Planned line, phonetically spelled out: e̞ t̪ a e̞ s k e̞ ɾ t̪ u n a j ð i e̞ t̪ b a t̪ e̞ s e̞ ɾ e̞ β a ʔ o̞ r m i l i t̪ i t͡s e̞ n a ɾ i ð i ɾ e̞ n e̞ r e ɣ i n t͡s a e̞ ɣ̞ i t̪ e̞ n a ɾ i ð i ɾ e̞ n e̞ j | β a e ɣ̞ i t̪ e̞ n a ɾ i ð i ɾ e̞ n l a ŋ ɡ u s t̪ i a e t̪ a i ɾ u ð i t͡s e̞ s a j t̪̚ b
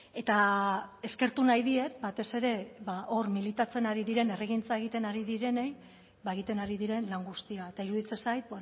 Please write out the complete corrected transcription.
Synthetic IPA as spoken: e̞ t̪ a e̞ s k e̞ ɾ t̪ u n a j ð i e̞ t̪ b a t̪ e̞ s e̞ ɾ e̞ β a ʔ o̞ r m i l i t̪ a t͡s e̞ n a ɾ i ð i ɾ e̞ n e̞ r e ɣ i n t͡s a e̞ ɣ̞ i t̪ e̞ n a ɾ i ð i ɾ e̞ n e̞ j | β a e ɣ̞ i t̪ e̞ n a ɾ i ð i ɾ e̞ n l a ŋ ɡ u s t̪ i a e t̪ a i ɾ u ð i t͡s e̞ s a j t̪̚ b

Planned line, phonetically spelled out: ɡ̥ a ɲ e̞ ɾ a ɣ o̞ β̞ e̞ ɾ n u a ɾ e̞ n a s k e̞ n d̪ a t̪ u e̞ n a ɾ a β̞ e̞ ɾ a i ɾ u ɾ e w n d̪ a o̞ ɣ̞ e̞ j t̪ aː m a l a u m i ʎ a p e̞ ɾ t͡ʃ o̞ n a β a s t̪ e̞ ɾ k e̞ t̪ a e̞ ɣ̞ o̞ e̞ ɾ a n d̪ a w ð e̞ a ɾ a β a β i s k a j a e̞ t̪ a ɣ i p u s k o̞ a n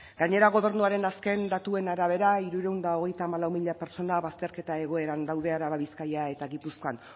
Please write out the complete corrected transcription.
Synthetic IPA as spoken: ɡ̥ a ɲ e̞ ɾ a ɣ o̞ β̞ e̞ ɾ n u a ɾ e̞ n a s k e̞ n d̪ a t̪ u e̞ n a ɾ a β̞ e̞ ɾ a i ɾ u ɾ e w n d̪ a o̞ ɣ̞ e̞ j t̪ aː m a l a w m i ʎ a p e̞ ɾ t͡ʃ o̞ n a β a s t̪ e̞ ɾ k e̞ t̪ a e̞ ɣ̞ o̞ e̞ ɾ a n d̪ a w ð e̞ a ɾ a β a β i s k a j a e̞ t̪ a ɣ i p u s k o̞ a n

